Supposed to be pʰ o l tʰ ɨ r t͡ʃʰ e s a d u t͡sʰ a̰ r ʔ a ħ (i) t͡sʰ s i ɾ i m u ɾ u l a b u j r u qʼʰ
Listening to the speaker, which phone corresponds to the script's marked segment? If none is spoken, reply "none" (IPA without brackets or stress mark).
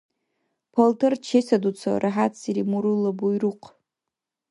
a